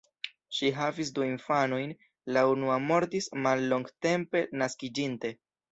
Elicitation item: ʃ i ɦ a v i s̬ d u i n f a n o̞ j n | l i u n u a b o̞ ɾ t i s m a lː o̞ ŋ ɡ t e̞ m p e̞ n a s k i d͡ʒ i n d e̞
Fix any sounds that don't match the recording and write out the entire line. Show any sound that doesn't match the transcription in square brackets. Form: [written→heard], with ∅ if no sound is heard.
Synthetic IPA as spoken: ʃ i ɦ a v i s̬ d u i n f a n o̞ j n | l [i→a] u n u a [b→m] o̞ ɾ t i s m a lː o̞ ŋ ɡ t e̞ m p e̞ n a s k i d͡ʒ i n [d→t] e̞